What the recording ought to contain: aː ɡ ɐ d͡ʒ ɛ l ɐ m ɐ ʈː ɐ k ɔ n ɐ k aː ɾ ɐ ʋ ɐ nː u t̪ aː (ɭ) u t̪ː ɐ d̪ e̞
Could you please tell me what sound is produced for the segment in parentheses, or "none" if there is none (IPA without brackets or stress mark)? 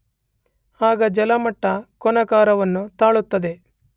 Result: ɭ